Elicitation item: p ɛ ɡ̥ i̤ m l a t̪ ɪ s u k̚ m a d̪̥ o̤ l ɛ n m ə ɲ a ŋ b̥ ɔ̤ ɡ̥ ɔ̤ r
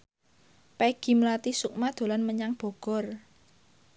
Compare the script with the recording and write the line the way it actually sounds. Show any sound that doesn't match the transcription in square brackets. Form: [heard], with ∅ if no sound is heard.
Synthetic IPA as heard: p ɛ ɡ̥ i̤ m l a t̪ [i] s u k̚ m a d̪̥ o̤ l [a] n m ə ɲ a ŋ b̥ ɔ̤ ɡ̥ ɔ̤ r